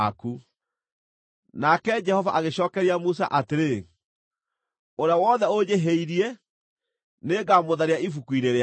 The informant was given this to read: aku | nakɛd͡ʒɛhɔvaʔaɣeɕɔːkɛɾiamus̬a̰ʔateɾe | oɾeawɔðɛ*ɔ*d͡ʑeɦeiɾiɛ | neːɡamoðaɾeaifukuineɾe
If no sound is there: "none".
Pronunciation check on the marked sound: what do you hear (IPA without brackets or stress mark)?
o